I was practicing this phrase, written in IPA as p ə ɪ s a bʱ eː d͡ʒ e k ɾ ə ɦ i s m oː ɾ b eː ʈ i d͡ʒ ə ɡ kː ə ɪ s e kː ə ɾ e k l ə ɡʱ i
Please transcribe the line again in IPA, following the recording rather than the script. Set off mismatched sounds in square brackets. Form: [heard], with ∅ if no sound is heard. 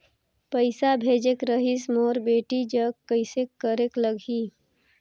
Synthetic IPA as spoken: p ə ɪ s a bʱ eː d͡ʒ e k ɾ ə ɦ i s m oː ɾ b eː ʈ i d͡ʒ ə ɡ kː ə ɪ s e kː ə ɾ e k l ə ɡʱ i